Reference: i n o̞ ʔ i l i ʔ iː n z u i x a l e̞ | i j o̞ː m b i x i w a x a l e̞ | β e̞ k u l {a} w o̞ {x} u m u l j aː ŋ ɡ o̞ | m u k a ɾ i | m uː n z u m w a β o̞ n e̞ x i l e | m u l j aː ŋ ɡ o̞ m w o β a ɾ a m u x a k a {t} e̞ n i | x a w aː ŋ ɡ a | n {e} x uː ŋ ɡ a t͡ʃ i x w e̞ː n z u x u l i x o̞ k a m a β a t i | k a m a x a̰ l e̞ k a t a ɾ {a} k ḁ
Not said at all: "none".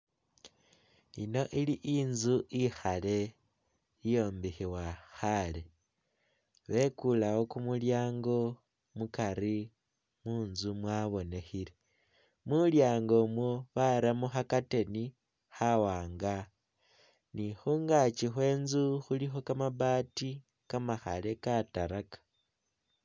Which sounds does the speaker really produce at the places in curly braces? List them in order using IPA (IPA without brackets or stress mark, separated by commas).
a, k, t, i, a